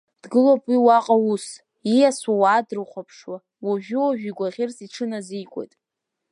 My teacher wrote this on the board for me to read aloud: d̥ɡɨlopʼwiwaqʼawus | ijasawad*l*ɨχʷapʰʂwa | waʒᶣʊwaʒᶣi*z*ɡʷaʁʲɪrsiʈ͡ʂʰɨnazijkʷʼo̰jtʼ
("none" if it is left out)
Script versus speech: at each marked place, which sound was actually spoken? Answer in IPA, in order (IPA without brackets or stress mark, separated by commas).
r, none